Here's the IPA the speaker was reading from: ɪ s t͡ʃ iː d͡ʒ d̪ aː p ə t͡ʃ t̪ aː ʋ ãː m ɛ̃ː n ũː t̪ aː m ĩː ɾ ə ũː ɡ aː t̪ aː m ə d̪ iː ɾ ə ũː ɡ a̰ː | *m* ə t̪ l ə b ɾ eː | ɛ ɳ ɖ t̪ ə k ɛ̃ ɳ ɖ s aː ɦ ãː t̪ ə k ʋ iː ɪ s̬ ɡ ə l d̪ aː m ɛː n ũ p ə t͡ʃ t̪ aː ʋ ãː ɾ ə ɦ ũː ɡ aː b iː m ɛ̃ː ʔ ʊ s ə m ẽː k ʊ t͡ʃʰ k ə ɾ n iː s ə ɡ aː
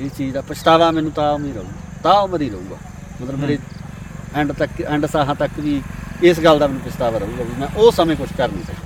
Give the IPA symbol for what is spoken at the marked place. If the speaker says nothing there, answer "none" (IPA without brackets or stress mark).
m